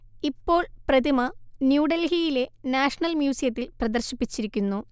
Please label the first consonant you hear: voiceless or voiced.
voiceless